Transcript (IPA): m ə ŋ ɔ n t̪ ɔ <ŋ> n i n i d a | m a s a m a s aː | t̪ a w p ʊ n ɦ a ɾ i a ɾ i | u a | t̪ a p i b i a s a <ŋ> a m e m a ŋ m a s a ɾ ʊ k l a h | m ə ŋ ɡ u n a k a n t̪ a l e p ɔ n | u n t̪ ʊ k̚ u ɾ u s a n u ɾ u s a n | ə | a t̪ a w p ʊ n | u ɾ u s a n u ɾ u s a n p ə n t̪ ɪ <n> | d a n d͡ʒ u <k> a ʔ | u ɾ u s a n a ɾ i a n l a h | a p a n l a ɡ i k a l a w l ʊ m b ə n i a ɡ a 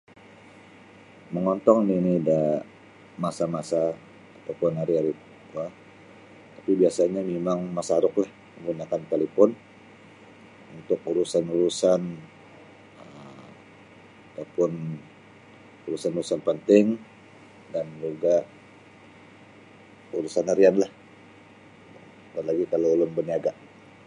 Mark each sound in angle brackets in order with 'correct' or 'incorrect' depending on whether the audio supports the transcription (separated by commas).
correct, incorrect, incorrect, incorrect